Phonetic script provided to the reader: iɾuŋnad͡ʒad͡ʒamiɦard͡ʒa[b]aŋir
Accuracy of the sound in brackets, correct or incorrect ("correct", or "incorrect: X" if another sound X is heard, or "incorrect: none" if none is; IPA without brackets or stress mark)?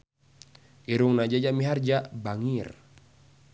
correct